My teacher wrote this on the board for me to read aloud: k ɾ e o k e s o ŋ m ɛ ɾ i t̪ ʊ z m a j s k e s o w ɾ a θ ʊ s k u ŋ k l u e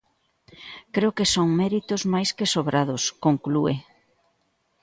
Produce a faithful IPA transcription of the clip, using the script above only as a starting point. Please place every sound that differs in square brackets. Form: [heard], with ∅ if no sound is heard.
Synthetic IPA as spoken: k ɾ e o k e s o ŋ m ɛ ɾ i t̪ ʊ z m a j s k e s o [β] ɾ a [ð] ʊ s k [o] ŋ k l u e